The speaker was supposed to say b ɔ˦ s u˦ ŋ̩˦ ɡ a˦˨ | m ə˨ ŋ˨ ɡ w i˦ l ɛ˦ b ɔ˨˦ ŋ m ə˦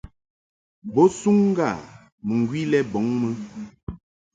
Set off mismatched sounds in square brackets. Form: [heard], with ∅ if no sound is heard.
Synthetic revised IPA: b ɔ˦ s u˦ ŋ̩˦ ɡ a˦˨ | m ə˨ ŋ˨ ɡ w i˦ l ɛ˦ b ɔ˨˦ ŋ m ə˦